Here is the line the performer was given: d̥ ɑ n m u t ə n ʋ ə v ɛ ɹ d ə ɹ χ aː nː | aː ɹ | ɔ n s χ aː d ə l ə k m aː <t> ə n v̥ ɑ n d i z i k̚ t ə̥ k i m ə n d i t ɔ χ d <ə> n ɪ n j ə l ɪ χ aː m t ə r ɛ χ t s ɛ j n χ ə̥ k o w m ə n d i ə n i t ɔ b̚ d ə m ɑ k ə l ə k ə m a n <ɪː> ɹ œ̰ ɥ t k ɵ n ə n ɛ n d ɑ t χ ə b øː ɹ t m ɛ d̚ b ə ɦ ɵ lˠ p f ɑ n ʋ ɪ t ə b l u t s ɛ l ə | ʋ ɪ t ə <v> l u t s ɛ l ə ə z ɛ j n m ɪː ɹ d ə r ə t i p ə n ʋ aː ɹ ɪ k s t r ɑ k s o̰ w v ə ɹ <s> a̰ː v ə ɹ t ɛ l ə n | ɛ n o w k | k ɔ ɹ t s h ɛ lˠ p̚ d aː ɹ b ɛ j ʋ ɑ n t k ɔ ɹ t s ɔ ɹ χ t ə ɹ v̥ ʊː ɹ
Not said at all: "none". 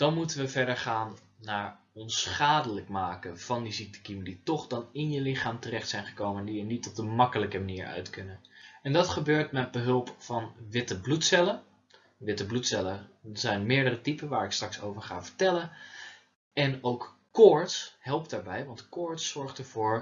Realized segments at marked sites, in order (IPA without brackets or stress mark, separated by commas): k, ɑ, iː, b, χ